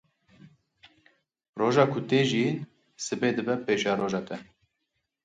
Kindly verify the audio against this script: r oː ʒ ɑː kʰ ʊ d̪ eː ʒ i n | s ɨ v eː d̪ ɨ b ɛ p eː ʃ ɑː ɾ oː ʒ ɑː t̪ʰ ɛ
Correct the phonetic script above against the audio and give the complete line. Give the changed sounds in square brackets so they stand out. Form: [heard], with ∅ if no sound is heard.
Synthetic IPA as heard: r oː ʒ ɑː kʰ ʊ [t̪] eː ʒ i n | s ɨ [b] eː d̪ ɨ b ɛ p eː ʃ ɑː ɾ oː ʒ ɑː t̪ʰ ɛ